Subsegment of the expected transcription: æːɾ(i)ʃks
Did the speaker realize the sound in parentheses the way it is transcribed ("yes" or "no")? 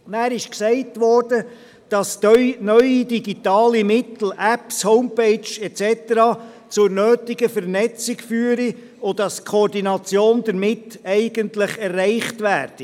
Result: no